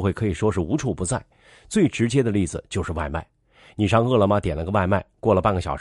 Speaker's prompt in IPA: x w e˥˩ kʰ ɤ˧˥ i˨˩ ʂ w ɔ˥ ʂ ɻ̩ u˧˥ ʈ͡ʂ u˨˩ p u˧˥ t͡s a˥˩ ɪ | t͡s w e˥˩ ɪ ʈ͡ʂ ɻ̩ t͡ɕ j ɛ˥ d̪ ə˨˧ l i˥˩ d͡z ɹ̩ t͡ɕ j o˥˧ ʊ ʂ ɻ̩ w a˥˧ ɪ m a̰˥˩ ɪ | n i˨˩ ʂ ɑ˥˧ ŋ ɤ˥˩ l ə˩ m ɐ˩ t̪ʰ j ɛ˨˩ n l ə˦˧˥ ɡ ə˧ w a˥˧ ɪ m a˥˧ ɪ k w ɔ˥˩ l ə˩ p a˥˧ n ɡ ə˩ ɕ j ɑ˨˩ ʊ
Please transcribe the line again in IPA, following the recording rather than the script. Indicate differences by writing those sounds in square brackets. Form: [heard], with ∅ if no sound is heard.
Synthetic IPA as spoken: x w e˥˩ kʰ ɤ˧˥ i˨˩ ʂ w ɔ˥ ʂ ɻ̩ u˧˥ [ʈ͡ʂʰ] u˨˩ p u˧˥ t͡s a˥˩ ɪ | t͡s w e˥˩ ɪ ʈ͡ʂ ɻ̩ t͡ɕ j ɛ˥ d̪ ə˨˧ l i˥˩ d͡z ɹ̩ t͡ɕ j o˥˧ ʊ ʂ ɻ̩ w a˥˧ ɪ m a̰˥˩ ɪ | n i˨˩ ʂ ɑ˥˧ ŋ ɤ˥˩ l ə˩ m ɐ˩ [t̪] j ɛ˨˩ n l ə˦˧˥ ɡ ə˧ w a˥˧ ɪ m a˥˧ ɪ k w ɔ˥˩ l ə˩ p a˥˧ n ɡ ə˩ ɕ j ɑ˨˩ ʊ